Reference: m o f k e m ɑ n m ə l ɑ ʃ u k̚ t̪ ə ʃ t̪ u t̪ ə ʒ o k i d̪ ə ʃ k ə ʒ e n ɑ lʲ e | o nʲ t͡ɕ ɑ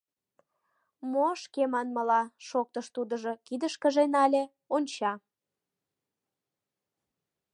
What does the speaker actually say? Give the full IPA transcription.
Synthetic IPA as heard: m o ʃ k e m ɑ n m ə l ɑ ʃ o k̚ t̪ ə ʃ t̪ u d̪ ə ʒ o k i d̪ ə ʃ k ə ʒ e n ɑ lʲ e | o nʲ t͡ɕ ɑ